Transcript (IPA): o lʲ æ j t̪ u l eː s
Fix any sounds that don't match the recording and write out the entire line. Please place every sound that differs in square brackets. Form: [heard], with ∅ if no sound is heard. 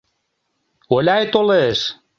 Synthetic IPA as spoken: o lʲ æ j t̪ [o] l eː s